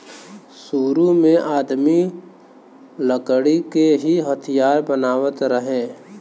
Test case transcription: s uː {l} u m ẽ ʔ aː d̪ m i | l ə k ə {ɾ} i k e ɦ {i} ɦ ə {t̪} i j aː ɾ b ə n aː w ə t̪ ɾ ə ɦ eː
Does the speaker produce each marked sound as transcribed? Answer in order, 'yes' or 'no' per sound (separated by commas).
no, no, yes, no